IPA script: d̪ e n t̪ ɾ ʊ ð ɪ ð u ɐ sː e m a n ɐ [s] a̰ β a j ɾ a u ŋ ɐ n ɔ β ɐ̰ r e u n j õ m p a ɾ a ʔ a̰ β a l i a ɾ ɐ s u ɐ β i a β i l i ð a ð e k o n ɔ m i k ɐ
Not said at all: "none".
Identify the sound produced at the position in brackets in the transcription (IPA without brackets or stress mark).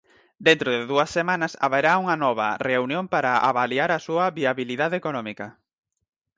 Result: s